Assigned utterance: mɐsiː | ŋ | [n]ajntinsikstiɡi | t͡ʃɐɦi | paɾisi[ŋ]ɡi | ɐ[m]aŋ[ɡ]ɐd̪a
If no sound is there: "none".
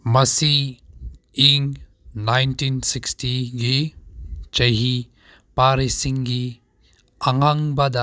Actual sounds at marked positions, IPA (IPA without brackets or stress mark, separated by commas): n, ŋ, ŋ, b